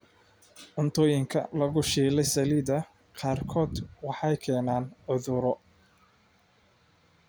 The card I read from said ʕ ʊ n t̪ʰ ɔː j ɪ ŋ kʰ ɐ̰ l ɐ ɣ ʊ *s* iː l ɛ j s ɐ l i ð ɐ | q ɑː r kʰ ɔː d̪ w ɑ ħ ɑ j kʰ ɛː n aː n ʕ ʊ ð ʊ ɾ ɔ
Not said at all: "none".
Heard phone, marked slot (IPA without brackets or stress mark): ʃ